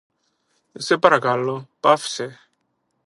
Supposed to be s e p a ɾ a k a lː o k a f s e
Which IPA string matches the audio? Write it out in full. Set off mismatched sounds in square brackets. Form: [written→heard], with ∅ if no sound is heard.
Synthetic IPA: s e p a ɾ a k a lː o [k→p] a f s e